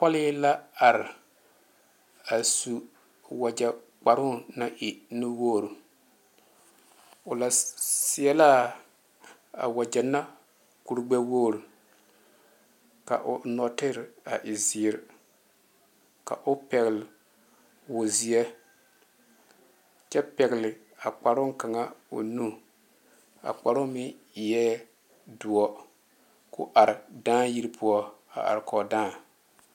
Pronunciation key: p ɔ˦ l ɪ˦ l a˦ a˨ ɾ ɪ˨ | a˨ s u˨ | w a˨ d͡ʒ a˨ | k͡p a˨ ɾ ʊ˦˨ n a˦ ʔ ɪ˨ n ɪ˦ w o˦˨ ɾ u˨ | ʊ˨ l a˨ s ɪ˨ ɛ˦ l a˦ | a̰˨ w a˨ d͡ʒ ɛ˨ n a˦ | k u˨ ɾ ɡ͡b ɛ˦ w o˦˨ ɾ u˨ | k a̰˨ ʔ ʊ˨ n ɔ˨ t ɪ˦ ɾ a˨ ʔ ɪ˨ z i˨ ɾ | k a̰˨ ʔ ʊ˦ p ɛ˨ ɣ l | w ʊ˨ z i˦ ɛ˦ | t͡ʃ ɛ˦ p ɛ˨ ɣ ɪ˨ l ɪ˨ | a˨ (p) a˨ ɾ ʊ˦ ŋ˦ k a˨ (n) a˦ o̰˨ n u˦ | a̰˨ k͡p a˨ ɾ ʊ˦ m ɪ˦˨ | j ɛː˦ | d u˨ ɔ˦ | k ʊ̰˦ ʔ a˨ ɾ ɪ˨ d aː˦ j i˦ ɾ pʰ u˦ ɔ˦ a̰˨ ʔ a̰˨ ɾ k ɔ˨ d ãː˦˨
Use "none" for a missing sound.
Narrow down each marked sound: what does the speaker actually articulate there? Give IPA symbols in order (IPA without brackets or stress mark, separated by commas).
k͡p, ŋ